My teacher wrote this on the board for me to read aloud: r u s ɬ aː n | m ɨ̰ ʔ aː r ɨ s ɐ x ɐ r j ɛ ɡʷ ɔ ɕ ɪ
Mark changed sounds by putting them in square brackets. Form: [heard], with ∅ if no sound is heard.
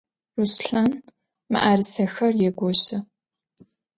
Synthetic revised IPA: r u s ɬ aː n | m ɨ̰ ʔ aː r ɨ s ɐ x ɐ r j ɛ ɡʷ ɔ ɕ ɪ